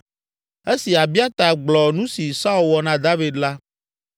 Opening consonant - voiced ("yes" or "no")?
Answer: no